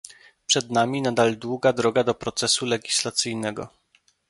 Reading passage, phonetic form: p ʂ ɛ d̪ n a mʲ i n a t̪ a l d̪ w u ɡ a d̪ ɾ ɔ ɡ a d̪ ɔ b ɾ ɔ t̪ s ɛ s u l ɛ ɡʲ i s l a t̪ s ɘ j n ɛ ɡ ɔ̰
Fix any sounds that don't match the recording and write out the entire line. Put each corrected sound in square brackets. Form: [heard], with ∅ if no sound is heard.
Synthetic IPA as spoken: p ʂ ɛ d̪ n a mʲ i n a [d̪] a l d̪ w u ɡ a d̪ ɾ ɔ ɡ a d̪ ɔ [p] ɾ ɔ t̪ s ɛ s u l ɛ ɡʲ i s l a t̪ s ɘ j n ɛ ɡ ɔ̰